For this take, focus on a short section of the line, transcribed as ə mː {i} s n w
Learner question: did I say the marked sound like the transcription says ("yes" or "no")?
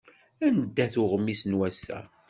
yes